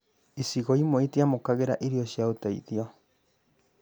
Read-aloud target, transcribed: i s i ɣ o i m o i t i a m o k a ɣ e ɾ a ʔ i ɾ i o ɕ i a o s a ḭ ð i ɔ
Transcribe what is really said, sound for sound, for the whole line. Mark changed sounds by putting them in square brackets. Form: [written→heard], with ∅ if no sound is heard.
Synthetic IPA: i s i ɣ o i m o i t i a m o k a ɣ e ɾ a ʔ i ɾ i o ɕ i a o [s→t] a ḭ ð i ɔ